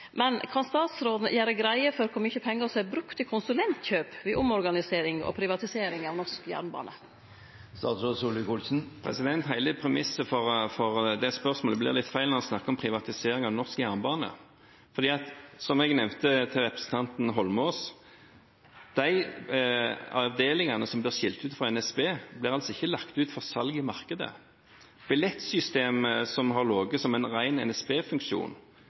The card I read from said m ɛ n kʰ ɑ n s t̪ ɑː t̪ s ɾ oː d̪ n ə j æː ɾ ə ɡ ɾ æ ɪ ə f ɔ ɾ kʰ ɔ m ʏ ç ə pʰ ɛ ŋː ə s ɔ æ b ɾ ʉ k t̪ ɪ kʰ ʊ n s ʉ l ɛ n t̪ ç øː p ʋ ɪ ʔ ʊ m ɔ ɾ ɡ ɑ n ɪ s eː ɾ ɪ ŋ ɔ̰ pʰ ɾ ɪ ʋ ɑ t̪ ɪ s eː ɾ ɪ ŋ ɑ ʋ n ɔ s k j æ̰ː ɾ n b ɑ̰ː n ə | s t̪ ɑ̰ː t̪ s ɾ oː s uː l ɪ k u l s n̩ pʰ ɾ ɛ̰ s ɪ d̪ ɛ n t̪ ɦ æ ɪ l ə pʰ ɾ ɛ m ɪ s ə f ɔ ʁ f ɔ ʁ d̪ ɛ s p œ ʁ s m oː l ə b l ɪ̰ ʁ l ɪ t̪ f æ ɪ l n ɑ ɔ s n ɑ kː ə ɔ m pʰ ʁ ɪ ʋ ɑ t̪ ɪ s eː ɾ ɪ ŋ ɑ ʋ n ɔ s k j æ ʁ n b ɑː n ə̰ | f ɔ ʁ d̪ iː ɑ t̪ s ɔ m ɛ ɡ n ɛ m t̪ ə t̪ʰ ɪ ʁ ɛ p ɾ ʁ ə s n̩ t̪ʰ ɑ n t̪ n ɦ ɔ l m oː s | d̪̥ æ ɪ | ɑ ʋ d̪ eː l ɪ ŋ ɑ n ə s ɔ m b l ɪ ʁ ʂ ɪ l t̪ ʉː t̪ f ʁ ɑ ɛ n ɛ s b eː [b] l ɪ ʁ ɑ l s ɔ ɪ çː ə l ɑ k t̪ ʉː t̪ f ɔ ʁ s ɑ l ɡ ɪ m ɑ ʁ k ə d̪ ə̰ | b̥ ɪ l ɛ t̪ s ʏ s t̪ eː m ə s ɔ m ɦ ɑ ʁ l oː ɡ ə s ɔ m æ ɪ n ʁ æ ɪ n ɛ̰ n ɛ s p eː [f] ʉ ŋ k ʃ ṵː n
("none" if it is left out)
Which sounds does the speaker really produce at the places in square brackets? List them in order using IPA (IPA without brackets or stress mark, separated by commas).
b, f